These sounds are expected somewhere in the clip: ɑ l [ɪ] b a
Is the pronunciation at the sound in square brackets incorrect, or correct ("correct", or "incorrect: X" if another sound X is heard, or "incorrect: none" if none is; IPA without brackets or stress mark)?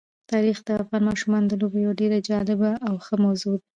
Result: correct